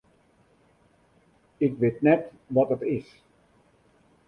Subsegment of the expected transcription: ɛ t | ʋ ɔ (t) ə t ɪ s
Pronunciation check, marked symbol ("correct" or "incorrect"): correct